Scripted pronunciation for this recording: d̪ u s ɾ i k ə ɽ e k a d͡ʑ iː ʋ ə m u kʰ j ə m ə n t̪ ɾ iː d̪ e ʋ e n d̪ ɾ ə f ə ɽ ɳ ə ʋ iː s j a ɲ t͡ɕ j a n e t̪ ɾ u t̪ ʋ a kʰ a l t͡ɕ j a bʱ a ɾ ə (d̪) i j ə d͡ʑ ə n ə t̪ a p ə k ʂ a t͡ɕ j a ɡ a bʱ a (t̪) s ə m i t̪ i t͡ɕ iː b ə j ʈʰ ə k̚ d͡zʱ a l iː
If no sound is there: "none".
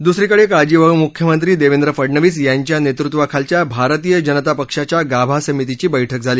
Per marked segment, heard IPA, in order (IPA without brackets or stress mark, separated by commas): t̪, none